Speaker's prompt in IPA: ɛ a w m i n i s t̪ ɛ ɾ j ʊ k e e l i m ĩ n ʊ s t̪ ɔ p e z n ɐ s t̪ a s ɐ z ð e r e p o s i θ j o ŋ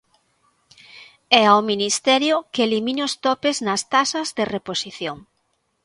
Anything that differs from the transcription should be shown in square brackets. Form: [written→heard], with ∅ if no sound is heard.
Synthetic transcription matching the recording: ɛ a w m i n i s t̪ ɛ ɾ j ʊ k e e l i m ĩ n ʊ s t̪ ɔ p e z n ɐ s t̪ a s ɐ z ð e r e p o s i θ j o ŋ